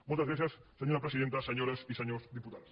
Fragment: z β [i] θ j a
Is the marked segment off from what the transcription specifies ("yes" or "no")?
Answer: yes